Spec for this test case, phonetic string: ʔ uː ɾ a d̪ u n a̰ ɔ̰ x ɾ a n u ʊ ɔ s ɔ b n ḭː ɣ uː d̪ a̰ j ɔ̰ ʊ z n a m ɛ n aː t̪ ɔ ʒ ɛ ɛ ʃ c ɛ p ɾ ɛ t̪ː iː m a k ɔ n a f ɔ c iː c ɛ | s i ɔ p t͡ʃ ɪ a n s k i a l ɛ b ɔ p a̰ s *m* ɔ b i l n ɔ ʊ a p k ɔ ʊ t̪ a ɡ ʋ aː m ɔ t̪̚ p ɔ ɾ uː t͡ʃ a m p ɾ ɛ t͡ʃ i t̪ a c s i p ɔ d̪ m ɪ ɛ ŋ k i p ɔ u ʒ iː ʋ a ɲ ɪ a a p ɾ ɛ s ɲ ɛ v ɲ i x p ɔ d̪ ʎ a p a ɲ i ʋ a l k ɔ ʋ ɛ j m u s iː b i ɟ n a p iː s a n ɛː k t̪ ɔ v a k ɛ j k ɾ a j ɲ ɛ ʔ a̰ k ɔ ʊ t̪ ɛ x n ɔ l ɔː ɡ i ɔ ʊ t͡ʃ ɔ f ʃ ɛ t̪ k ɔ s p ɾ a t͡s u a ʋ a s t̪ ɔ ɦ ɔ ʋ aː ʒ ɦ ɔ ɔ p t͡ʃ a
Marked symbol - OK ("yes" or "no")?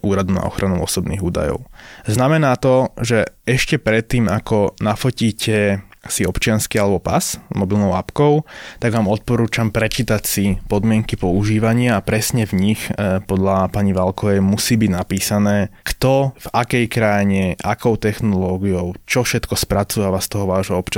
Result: yes